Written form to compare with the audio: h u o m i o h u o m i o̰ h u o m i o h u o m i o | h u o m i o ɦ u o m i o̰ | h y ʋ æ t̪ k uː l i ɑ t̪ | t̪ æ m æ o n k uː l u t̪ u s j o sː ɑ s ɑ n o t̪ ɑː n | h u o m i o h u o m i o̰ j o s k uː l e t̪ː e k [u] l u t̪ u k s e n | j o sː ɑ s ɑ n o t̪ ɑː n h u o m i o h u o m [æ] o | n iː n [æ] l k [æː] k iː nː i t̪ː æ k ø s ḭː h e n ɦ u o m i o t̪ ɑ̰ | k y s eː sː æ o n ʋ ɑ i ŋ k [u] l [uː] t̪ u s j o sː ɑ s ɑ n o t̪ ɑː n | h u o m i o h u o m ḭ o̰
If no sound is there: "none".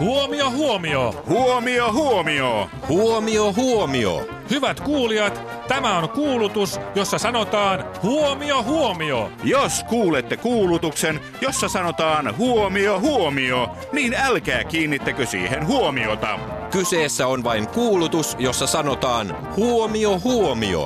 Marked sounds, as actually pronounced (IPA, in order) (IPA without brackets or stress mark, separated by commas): uː, i, æ, æː, uː, u